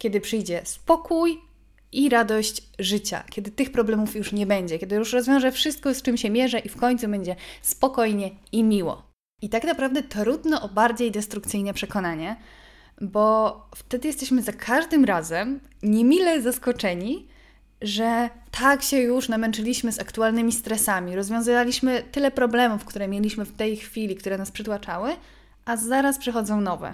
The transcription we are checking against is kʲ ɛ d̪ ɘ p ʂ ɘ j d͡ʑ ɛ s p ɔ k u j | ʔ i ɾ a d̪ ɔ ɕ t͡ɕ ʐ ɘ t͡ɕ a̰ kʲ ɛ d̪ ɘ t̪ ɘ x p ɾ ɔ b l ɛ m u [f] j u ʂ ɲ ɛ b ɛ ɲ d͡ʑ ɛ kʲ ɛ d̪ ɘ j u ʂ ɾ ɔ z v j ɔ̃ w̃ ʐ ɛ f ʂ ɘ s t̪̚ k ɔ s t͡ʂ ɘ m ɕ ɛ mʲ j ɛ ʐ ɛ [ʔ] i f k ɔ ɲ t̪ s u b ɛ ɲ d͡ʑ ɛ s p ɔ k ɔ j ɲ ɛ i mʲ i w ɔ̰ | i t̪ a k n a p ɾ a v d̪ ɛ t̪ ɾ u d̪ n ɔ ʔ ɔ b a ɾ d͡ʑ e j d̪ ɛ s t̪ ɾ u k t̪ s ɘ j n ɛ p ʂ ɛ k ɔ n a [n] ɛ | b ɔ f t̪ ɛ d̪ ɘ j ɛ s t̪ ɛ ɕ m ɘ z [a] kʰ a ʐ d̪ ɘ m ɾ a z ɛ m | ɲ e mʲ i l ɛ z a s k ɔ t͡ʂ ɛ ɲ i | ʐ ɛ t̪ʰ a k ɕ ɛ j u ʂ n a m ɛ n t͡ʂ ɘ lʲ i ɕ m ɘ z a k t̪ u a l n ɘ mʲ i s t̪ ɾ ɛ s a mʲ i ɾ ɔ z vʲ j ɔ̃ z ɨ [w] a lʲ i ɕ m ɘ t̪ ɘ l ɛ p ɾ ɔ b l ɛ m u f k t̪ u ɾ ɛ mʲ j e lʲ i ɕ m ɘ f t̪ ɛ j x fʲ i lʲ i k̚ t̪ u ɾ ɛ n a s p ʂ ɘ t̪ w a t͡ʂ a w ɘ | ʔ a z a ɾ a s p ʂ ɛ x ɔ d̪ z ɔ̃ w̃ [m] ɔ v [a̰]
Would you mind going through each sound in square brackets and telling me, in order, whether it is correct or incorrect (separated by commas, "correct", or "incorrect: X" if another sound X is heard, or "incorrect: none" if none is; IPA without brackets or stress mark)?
correct, correct, incorrect: ɲ, correct, incorrect: v, incorrect: n, incorrect: ɛ̰